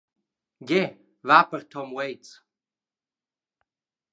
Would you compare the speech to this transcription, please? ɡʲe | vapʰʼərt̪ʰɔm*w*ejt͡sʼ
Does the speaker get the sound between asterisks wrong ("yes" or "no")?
no